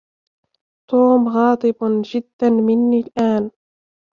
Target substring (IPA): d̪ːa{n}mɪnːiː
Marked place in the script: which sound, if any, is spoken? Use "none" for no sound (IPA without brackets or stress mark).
n